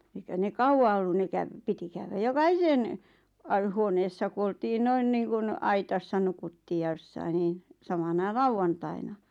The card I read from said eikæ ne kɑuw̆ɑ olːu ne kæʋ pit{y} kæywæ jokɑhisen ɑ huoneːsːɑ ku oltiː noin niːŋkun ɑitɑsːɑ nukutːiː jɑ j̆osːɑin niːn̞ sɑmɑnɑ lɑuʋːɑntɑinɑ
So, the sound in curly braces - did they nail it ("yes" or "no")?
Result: no